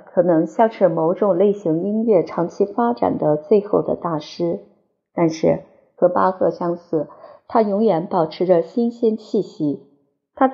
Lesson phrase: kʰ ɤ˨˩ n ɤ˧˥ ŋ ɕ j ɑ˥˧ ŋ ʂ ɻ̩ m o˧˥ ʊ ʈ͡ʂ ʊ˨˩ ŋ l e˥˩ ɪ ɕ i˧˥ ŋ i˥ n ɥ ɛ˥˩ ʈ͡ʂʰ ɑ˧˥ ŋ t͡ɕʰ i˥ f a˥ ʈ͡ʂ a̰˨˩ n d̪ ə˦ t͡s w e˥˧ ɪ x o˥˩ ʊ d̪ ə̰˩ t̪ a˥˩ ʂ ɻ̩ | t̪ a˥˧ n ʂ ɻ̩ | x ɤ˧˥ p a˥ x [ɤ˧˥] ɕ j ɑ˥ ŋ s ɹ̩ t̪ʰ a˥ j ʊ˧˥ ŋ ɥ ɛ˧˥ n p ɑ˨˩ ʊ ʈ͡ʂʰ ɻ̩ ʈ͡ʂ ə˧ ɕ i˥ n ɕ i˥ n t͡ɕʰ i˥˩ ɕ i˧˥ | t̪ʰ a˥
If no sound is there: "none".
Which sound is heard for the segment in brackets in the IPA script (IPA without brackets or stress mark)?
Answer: ɤ˥˧